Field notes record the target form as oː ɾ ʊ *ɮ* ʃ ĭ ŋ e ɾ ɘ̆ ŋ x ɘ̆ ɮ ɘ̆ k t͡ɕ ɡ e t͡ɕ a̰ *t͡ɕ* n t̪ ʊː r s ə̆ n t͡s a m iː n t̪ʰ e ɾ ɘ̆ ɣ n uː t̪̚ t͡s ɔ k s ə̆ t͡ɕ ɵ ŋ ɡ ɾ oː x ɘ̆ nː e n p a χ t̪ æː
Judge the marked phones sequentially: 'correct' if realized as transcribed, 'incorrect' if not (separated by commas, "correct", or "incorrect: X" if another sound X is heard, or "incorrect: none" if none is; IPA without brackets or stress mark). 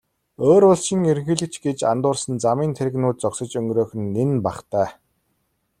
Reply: correct, incorrect: none